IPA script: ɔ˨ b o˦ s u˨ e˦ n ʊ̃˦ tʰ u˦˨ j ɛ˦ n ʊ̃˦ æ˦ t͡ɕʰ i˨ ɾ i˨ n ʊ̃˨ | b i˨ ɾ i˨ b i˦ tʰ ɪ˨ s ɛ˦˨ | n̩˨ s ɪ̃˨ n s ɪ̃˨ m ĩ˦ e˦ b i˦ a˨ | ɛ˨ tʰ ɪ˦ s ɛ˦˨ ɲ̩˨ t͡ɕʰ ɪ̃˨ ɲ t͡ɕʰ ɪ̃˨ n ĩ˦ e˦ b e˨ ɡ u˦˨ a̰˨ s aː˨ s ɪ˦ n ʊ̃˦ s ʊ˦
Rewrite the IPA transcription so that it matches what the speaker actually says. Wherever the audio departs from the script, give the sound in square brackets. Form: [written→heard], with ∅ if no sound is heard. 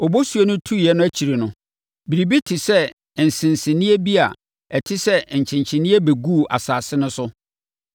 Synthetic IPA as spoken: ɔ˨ b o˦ s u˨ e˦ n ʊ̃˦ tʰ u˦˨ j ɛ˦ n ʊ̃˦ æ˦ t͡ɕʰ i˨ ɾ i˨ n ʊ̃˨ | b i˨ ɾ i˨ b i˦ tʰ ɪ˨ s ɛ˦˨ | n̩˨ s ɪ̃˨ n s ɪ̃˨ [m→n] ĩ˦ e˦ b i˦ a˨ | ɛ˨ tʰ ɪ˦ s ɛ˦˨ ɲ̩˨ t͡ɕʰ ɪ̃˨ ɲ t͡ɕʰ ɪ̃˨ n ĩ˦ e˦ b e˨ ɡ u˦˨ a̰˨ s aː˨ s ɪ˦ n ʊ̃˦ s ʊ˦